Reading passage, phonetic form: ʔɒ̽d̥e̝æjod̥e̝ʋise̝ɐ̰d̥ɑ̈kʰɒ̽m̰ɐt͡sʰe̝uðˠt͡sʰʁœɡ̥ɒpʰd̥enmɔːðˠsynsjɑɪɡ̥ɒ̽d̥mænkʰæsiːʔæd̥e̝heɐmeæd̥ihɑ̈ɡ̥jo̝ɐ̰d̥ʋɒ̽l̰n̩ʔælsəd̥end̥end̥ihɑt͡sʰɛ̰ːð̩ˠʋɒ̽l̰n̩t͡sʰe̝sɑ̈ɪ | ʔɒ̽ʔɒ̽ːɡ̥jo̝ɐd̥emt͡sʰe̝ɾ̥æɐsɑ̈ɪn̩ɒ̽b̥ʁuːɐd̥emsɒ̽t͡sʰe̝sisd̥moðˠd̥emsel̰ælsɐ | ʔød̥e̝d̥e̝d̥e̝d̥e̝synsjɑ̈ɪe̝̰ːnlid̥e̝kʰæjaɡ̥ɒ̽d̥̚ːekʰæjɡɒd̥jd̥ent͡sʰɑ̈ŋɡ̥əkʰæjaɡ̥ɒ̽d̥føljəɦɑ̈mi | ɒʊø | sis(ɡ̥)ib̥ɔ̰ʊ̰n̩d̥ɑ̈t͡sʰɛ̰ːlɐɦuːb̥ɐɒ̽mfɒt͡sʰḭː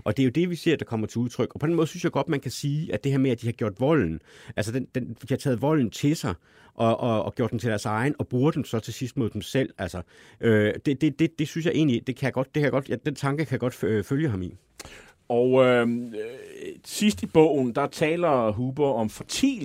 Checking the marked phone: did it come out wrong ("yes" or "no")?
yes